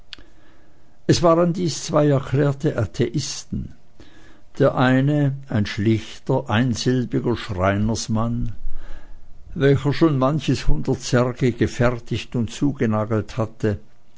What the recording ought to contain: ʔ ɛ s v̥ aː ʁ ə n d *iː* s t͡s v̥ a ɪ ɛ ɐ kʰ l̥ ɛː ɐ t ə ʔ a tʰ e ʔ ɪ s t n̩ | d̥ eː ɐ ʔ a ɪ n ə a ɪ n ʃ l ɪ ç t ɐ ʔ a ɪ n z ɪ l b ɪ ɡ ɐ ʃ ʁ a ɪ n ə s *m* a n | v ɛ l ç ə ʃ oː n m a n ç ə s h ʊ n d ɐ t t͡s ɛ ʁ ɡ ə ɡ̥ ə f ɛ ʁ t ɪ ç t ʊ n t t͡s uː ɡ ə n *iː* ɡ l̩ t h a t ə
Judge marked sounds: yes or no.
yes, yes, no

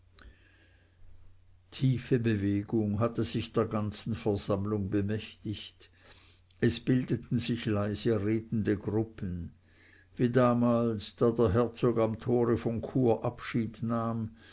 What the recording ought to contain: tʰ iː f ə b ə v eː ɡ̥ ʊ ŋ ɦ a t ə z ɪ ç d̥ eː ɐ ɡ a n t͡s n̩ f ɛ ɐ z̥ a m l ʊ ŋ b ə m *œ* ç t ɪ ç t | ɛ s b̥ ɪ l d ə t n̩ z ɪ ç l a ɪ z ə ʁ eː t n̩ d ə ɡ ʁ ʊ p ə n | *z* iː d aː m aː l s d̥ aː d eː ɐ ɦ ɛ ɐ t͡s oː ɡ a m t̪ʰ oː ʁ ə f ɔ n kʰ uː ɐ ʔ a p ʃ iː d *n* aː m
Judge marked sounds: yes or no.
no, no, yes

